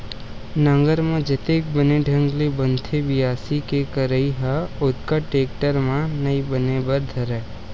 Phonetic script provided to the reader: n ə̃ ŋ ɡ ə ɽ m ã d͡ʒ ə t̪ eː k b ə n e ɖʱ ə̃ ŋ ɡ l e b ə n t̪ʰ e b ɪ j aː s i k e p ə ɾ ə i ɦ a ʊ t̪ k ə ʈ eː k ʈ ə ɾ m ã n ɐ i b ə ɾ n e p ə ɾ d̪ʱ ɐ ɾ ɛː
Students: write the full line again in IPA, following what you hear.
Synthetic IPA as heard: n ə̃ ŋ ɡ ə ɾ m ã d͡ʒ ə t̪ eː k b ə n e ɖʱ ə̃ ŋ ɡ l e b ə n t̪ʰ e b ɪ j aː s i k e k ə ɾ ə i ɦ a ʊ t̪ k a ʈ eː k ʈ ə ɾ m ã n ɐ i b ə n e b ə ɾ d̪ʱ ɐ ɾ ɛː